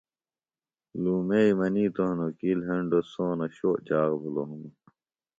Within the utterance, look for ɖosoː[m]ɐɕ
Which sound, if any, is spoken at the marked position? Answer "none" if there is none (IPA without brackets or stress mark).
n